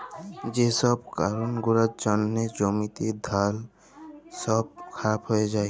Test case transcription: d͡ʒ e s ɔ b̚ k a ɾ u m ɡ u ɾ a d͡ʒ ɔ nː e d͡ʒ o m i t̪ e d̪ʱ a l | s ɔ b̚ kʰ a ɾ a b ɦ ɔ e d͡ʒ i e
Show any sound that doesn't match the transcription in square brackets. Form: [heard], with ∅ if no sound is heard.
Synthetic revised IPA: d͡ʒ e s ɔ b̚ k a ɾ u [n] ɡ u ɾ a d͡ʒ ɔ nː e d͡ʒ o m i t̪ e d̪ʱ a l | s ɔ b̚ kʰ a ɾ a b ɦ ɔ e d͡ʒ [a] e